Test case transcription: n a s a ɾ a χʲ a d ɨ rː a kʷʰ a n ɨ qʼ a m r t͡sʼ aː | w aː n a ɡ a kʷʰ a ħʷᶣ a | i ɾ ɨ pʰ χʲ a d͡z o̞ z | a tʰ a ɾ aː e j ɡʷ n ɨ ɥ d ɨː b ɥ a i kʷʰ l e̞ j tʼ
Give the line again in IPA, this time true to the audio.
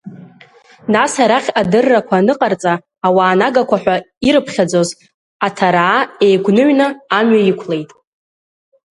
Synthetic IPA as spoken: n a s a ɾ a χʲ a d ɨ rː a kʷʰ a n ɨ qʼ a r t͡sʼ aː | w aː n a ɡ a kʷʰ a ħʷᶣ a | i ɾ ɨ pʰ χʲ a d͡z o̞ z | a tʰ a ɾ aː e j ɡʷ n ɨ ɥ n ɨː m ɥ a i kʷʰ l e̞ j tʼ

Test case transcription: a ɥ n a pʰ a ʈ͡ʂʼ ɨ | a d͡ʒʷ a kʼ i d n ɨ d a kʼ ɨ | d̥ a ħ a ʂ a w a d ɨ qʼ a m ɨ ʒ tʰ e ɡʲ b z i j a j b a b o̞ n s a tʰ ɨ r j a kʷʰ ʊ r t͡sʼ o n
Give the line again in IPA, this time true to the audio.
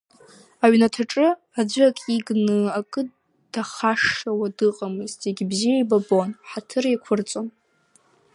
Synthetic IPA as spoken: a ɥ n a tʰ a ʈ͡ʂʼ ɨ | a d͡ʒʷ a kʼ i ɡ n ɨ a kʼ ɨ | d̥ a χ a ʂ a w a d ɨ qʼ a m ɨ z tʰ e ɡʲ b z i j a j b a b o̞ n ħ a tʰ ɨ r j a kʷʰ ʊ r t͡sʼ o n

